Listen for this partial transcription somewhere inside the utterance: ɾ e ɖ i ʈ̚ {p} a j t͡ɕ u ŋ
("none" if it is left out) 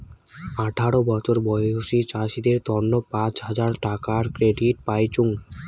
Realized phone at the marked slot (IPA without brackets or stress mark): p